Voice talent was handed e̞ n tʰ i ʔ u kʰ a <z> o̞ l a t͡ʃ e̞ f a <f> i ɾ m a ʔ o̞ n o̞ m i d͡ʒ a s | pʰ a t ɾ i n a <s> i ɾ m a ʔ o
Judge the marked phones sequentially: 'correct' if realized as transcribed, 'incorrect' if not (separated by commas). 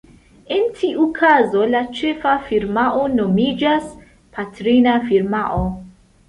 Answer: correct, correct, incorrect